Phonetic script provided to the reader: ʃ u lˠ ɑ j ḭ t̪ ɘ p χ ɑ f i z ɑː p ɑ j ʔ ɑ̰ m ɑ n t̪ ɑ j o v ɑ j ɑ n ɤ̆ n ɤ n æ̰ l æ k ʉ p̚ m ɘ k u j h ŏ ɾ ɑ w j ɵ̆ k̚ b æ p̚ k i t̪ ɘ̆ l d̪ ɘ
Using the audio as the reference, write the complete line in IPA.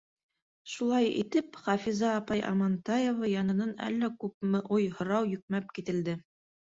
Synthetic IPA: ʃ u lˠ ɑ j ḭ t̪ ɘ p χ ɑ f i z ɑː p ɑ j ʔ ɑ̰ m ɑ n t̪ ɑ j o v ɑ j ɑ n ɤ̆ n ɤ n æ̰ lː æ k ʉ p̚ m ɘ ʔ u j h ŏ ɾ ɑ w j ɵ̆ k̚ m æ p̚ k i t̪ ɘ̆ l d̪ ɘ